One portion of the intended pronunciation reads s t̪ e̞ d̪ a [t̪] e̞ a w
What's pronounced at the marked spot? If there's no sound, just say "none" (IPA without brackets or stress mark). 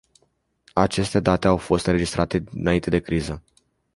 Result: t̪